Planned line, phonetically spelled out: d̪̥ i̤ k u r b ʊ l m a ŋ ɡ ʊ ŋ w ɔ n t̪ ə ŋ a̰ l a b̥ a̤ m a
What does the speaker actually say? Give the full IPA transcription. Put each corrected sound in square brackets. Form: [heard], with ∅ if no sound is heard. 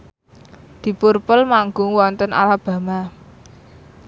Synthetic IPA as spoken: d̪̥ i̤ [p] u r [p] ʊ l m a ŋ ɡ ʊ ŋ w ɔ n t̪ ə [n] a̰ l a b̥ a̤ m a